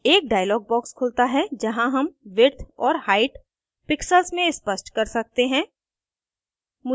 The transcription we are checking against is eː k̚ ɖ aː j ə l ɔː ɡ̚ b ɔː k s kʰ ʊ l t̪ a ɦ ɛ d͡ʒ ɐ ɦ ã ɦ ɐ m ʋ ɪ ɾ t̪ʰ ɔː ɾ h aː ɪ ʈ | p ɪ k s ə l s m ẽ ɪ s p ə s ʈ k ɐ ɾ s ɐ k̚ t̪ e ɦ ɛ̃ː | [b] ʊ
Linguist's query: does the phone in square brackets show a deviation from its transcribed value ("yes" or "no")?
yes